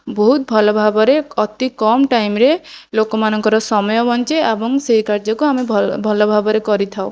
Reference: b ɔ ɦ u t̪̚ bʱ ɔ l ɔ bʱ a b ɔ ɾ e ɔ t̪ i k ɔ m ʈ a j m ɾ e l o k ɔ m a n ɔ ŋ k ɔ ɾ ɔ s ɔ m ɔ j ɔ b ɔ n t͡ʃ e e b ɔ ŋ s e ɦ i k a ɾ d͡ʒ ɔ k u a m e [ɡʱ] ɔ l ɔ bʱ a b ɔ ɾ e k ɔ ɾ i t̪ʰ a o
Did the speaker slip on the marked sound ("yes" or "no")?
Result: yes